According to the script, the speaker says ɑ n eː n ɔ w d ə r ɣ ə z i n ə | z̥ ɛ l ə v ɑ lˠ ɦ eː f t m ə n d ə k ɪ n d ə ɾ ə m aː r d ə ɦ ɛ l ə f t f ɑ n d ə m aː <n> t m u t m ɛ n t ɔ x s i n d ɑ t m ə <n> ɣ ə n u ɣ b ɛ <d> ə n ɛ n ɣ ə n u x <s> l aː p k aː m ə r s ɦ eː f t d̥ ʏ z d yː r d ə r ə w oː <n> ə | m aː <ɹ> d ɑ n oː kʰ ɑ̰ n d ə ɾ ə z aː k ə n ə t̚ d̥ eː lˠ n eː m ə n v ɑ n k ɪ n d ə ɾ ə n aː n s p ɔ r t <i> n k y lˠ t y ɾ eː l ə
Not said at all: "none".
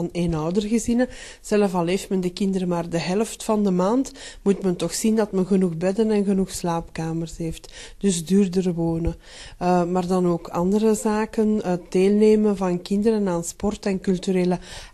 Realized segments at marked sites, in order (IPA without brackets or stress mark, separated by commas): n, n, d, s, n, r, ɛ